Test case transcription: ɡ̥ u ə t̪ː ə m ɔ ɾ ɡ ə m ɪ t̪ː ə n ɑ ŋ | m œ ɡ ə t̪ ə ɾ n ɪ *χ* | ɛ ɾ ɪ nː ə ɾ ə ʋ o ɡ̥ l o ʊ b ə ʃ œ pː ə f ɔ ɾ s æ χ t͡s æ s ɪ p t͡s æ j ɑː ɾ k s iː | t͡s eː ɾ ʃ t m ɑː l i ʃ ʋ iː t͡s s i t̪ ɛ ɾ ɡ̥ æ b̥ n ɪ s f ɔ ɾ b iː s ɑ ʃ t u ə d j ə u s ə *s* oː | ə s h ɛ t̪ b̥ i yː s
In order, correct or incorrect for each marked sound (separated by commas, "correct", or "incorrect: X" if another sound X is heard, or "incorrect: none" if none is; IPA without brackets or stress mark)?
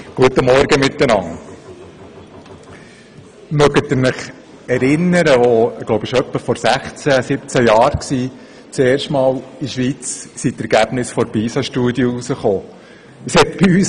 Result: correct, incorrect: χ